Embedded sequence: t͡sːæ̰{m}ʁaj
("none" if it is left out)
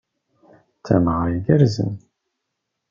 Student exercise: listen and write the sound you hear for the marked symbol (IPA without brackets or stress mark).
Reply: m